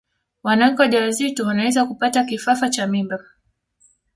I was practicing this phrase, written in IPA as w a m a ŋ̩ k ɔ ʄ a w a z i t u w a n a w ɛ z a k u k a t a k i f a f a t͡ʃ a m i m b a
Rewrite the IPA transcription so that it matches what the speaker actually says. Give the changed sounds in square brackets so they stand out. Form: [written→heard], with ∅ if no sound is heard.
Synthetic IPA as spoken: w a [m→n] a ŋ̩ k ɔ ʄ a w a z i t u w a n a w ɛ z a k u [k→p] a t a k i f a f a t͡ʃ a m i m b a